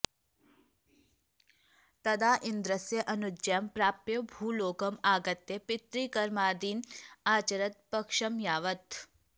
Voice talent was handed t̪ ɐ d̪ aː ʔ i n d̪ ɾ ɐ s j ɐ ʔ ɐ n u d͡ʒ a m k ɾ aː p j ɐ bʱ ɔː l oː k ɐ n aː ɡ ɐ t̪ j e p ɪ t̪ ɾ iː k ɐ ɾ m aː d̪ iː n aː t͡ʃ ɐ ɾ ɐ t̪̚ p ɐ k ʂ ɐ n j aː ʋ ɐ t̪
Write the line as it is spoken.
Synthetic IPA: t̪ ɐ d̪ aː ʔ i n d̪ ɾ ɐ s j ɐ ʔ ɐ n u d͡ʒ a m p ɾ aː p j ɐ bʱ uː l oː k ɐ m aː ɡ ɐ t̪ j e p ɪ t̪ ɾ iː k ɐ ɾ m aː d̪ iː n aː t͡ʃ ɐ ɾ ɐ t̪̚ p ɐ k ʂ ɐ m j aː ʋ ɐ t̪